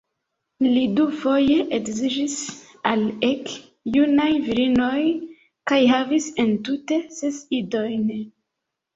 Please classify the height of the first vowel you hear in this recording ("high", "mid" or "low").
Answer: high